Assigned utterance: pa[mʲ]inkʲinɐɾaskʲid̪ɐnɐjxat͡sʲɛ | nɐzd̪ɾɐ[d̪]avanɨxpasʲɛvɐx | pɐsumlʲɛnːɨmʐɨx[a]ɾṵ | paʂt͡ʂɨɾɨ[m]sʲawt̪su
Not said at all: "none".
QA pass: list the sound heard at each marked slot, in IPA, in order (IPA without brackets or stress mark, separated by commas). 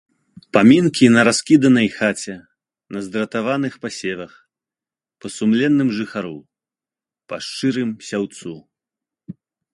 mʲ, t̪, a, m